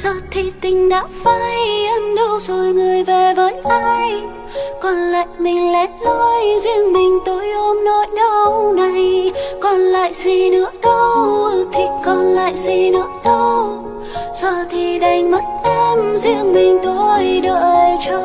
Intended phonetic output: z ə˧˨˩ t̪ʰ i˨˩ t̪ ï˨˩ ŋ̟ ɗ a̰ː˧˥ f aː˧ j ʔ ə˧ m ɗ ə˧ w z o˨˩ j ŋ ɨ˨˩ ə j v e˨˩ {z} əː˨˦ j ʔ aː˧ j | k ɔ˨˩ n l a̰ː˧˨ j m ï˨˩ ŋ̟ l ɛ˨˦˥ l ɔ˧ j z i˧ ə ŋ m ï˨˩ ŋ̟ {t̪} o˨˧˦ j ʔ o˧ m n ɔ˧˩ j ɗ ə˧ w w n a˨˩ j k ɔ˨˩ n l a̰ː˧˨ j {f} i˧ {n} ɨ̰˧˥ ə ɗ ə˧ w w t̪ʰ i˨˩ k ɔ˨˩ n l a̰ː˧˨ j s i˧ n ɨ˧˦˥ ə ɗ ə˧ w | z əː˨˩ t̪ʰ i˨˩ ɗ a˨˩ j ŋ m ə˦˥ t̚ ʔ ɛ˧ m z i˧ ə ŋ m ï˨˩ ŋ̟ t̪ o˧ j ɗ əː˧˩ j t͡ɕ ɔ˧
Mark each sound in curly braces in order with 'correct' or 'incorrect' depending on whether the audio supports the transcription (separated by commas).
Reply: incorrect, correct, incorrect, correct